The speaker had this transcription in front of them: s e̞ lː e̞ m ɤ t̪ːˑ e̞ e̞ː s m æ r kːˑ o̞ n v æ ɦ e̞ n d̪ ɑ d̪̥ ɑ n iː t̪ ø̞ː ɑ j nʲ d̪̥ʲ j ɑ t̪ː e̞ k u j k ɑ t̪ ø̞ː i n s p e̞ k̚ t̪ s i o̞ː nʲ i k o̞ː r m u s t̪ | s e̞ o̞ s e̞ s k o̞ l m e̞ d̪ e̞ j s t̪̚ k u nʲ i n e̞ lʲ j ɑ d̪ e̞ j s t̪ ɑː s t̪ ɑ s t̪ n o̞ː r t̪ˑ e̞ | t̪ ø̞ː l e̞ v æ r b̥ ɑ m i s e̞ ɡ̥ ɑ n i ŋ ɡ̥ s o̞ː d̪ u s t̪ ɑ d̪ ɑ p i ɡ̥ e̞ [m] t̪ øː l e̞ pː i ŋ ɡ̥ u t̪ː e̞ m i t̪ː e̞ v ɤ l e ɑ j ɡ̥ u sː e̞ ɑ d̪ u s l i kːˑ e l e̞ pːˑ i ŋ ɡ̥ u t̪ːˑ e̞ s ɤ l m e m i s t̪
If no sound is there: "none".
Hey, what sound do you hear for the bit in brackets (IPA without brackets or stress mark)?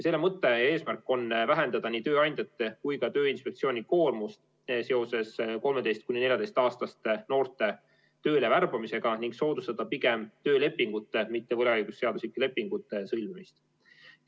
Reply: m